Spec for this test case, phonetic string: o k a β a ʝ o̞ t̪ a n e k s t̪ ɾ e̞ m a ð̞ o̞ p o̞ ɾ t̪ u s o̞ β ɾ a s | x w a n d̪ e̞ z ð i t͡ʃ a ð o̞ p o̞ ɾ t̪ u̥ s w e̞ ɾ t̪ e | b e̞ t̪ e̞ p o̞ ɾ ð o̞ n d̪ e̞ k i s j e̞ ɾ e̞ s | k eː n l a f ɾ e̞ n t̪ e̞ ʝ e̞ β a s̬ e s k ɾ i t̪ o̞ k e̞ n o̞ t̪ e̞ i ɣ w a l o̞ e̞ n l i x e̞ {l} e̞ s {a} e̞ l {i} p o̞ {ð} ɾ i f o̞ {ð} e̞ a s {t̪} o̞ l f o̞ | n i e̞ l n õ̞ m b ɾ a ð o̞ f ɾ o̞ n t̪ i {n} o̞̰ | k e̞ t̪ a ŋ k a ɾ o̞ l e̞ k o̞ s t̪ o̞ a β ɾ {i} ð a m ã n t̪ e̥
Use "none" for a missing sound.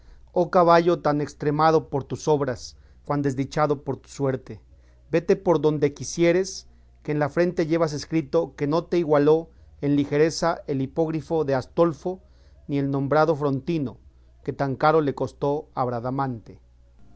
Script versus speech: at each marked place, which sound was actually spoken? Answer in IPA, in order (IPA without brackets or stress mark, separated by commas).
ɾ, a, i, ɣ, ð, t̪, n, a